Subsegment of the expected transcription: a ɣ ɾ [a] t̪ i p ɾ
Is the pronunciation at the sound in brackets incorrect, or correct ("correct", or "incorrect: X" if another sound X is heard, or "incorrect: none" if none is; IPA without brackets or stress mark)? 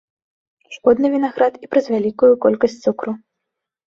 correct